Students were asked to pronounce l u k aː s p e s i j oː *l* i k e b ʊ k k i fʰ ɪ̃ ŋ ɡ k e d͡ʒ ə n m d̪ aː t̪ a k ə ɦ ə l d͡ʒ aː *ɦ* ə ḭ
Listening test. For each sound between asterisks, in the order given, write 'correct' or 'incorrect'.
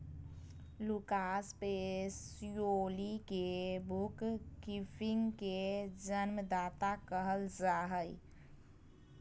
correct, correct

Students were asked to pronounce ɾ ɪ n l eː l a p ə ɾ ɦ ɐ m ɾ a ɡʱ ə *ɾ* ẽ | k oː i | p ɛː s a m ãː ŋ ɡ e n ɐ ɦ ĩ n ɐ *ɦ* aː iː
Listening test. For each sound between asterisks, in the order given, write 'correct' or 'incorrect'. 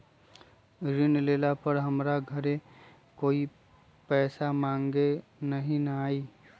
correct, incorrect: none

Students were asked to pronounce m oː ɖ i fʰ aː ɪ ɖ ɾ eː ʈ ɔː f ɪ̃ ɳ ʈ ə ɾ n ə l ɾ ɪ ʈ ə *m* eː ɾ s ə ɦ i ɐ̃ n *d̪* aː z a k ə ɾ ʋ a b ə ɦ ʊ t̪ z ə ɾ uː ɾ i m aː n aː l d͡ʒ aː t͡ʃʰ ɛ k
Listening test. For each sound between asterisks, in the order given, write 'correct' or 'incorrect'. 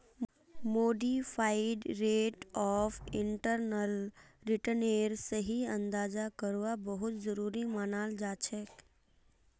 incorrect: n, correct

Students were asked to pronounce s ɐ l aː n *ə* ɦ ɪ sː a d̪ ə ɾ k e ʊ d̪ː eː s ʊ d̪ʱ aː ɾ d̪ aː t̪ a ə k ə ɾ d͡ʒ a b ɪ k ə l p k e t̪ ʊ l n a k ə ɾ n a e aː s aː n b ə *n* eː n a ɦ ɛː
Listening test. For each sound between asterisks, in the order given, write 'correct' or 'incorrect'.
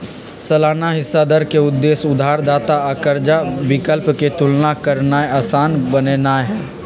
incorrect: a, correct

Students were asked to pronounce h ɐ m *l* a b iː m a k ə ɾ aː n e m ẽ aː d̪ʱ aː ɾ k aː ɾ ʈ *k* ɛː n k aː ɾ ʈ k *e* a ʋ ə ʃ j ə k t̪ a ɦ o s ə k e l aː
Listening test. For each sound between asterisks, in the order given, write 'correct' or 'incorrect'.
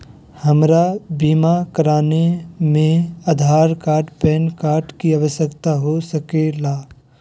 incorrect: ɾ, incorrect: p, incorrect: i

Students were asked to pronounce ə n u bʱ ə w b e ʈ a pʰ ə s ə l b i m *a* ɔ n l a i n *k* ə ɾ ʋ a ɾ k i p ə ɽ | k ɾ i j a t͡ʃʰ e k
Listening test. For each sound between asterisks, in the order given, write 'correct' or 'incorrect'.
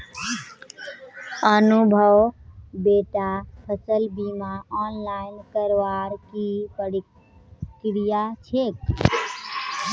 correct, correct

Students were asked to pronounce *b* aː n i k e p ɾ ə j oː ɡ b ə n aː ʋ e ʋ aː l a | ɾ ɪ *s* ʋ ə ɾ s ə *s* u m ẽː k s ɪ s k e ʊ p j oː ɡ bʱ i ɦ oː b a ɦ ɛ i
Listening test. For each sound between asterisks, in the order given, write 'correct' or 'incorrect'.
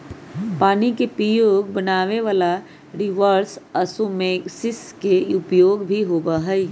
incorrect: p, incorrect: none, correct

